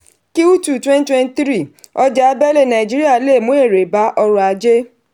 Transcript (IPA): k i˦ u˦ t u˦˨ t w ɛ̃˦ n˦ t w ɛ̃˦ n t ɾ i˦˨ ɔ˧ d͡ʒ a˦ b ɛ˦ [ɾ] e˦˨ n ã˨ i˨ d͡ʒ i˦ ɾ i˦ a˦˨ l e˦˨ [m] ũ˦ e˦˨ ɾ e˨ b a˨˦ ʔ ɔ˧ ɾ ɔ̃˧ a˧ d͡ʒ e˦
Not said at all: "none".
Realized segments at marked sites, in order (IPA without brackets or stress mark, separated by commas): l, m